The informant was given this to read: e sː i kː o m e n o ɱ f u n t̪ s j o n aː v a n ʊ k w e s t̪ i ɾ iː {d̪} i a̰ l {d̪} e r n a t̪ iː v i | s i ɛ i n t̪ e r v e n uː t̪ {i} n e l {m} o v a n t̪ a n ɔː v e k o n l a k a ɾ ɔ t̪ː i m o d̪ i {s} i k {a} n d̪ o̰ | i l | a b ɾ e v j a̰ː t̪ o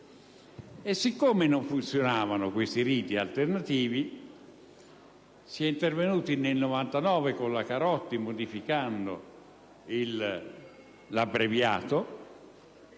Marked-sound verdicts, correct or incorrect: incorrect, incorrect, correct, incorrect, incorrect, correct

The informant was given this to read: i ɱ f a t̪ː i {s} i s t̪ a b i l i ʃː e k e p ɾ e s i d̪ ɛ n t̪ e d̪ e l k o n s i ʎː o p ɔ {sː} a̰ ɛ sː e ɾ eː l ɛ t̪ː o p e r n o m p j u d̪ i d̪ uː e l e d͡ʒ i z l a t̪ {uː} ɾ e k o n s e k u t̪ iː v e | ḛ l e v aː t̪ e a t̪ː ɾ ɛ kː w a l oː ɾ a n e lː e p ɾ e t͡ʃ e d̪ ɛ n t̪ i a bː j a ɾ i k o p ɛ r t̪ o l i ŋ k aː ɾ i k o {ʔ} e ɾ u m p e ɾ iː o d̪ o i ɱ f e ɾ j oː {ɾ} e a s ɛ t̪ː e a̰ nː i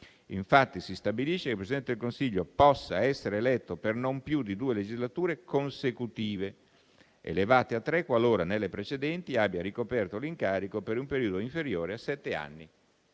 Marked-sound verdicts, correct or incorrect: correct, correct, correct, incorrect, correct

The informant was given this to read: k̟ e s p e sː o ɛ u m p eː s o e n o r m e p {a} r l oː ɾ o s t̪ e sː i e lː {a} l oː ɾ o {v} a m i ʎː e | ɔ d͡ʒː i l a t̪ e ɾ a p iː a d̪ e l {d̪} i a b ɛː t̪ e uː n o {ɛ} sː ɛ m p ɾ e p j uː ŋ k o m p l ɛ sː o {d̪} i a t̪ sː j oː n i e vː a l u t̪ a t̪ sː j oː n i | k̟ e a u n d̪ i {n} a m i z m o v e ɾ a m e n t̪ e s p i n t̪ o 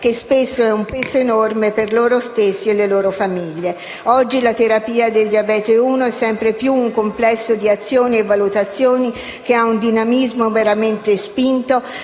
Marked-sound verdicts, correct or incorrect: incorrect, incorrect, incorrect, correct, correct, correct, correct

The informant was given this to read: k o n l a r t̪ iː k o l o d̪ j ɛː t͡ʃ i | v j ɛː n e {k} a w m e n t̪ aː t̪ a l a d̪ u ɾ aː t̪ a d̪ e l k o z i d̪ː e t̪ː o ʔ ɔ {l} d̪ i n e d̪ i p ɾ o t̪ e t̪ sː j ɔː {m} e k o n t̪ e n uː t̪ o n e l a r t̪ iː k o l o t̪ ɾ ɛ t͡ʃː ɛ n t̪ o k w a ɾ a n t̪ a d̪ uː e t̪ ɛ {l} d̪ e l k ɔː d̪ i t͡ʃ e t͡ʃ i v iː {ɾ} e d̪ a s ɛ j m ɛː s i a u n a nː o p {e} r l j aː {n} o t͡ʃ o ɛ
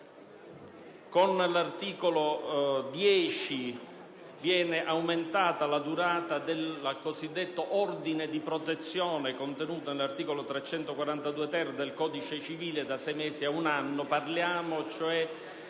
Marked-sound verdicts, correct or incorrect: incorrect, incorrect, incorrect, incorrect, incorrect, incorrect, incorrect

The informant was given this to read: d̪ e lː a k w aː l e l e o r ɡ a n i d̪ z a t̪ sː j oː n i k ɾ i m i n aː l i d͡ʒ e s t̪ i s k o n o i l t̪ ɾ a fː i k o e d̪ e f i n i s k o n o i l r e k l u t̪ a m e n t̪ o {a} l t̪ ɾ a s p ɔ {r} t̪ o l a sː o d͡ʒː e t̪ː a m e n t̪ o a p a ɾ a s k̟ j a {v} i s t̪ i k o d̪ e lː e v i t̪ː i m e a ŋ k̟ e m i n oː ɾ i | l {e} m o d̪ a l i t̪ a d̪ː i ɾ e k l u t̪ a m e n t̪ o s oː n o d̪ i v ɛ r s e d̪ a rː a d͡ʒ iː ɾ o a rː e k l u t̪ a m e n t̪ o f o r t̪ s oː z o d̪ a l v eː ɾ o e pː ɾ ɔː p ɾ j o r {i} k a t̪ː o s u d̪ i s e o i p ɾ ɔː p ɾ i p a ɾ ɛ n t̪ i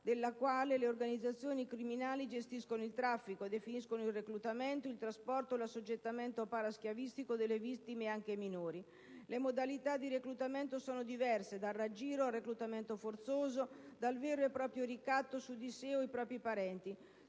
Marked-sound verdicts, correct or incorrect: incorrect, correct, correct, correct, correct

